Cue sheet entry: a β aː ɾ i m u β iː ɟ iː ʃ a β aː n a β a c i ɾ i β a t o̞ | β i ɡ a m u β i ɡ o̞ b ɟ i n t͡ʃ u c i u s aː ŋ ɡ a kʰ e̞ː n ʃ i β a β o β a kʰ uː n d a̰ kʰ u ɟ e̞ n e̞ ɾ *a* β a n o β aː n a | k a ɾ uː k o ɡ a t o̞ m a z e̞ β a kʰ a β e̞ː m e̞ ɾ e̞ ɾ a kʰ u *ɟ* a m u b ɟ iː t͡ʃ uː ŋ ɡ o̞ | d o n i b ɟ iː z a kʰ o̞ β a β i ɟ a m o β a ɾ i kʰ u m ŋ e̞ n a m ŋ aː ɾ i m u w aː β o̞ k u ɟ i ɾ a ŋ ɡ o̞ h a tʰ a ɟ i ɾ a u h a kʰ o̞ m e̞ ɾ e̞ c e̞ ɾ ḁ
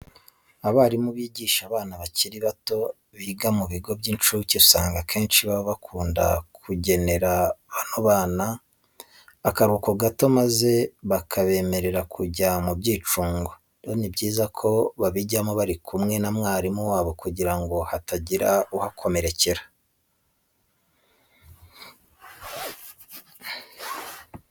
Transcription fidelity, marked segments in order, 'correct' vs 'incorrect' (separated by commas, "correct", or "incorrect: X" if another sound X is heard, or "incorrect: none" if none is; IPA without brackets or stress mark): correct, correct